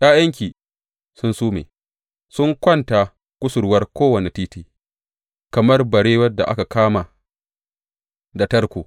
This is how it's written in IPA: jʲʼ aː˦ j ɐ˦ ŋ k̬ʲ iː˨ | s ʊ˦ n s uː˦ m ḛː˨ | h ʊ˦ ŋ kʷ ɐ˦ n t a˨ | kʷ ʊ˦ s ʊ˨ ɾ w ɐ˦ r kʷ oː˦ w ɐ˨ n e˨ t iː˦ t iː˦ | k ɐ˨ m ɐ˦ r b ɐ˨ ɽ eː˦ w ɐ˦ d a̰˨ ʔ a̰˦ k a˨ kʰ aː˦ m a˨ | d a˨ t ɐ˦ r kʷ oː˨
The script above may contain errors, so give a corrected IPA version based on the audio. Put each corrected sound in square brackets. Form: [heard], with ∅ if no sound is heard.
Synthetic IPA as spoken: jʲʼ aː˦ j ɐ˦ ŋ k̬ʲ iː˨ | s ʊ˦ n s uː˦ m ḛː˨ | [s] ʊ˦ ŋ kʷ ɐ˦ n t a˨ | kʷ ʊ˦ s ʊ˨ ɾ w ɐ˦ r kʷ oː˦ w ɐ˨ n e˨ t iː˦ t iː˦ | k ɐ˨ m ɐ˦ r b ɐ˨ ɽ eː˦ w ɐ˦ d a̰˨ ʔ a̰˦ k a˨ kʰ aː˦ m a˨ | d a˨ t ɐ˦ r kʷ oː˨